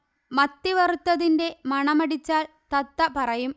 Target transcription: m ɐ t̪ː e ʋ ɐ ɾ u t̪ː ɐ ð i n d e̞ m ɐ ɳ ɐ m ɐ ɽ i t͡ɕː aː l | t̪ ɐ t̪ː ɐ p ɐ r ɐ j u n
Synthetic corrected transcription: m ɐ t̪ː i ʋ ɐ r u t̪ː ɐ ð i n d e̞ m ɐ ɳ ɐ m ɐ ɽ i t͡ɕː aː l | t̪ ɐ t̪ː ɐ p ɐ r ɐ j u m